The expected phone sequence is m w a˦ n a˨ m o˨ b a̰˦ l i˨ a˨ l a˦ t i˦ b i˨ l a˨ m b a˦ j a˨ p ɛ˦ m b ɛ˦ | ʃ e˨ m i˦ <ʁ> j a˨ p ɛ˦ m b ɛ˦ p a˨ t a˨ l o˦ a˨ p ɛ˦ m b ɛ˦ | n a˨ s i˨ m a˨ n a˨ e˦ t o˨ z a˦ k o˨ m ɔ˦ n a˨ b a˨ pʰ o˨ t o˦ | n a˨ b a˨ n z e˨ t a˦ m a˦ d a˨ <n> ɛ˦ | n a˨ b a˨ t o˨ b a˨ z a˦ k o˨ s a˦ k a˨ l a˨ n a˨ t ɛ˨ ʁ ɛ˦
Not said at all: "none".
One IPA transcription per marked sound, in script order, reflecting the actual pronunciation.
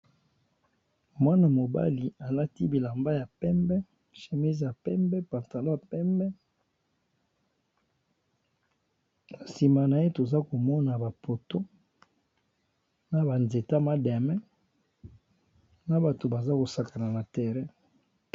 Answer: z, m

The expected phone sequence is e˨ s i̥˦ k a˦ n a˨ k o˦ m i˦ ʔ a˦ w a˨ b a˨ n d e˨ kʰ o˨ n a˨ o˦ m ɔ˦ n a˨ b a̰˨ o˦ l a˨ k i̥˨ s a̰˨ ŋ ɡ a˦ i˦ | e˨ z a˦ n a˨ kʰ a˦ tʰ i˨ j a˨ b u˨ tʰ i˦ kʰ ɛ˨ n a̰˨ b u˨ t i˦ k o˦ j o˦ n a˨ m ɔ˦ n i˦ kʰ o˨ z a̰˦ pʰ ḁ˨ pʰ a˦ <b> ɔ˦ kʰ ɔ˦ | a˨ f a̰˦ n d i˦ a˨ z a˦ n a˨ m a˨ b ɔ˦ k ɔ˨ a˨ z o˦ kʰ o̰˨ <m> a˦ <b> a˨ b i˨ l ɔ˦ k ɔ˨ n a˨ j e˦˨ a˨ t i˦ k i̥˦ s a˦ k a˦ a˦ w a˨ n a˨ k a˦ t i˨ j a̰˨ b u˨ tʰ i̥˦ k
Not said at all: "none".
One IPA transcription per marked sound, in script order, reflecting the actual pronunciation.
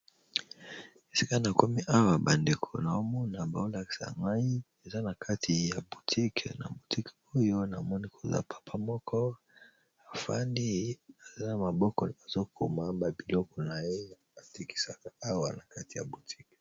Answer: m, m, b

